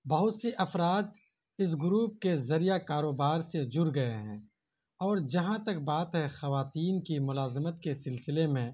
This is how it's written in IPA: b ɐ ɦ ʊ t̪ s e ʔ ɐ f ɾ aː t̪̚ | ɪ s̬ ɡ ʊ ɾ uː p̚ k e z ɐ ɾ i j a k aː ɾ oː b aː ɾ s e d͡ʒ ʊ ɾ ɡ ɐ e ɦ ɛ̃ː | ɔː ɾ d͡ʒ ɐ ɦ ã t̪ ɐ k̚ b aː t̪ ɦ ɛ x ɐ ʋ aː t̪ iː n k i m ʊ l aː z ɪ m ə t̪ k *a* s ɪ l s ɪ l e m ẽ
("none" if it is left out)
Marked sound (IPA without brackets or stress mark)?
e